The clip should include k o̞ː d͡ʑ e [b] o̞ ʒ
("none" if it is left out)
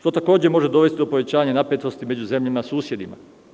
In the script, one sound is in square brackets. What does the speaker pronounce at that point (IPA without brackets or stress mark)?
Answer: m